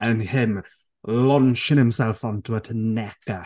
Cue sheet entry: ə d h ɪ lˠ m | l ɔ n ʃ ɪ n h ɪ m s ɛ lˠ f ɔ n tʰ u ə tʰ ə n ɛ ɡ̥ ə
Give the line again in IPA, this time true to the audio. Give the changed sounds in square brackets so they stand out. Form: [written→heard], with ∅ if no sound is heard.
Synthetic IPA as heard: ə [d→n] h ɪ [lˠ→∅] m | l ɔ n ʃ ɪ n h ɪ m s ɛ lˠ f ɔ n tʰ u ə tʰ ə n ɛ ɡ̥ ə